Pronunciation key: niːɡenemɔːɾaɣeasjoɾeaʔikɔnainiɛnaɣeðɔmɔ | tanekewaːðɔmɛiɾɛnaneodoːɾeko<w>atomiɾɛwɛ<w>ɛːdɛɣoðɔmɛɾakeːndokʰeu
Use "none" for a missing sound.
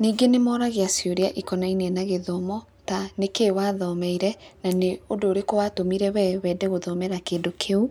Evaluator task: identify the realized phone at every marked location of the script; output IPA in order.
w, w

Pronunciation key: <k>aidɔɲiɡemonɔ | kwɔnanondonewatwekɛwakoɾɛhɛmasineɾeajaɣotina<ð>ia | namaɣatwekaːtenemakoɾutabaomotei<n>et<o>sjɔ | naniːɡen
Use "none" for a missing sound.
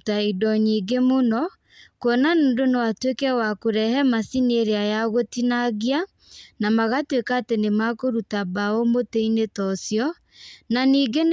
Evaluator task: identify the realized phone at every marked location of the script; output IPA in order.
t, ɣ, n, ɔ

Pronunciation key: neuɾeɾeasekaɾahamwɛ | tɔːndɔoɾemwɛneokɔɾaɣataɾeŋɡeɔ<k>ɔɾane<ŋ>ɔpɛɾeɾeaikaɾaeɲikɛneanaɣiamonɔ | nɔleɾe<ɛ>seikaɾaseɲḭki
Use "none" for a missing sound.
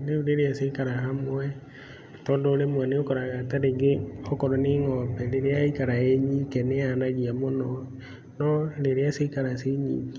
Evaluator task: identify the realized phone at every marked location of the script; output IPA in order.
k, ŋ, a

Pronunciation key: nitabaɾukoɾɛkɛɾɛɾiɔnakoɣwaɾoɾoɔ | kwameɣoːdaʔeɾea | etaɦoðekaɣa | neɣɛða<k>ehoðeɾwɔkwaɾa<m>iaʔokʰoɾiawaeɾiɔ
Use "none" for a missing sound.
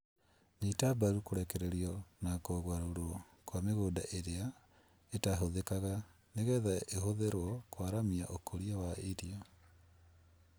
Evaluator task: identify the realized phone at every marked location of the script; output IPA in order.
none, m

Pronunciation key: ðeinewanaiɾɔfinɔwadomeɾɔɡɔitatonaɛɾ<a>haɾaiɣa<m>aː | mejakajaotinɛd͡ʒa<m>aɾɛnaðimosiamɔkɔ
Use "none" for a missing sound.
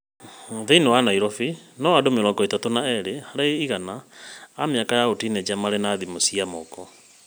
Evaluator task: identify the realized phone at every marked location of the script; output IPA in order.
e, n, m

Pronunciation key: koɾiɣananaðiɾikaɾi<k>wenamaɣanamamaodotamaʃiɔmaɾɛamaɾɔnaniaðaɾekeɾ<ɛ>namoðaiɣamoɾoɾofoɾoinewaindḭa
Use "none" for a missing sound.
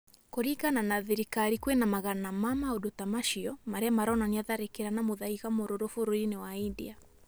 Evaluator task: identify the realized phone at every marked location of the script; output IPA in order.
k, a

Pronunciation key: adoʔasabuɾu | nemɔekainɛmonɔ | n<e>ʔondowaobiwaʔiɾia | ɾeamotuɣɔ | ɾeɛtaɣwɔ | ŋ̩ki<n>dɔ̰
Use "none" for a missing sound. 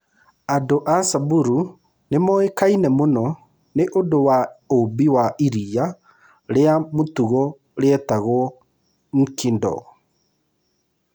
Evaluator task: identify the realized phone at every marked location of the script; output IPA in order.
e, n

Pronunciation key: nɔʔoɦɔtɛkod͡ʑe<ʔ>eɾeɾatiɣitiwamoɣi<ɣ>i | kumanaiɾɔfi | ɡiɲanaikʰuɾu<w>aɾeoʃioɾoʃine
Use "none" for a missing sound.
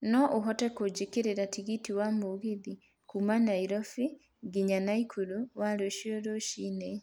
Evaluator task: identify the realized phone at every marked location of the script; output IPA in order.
k, ð, w

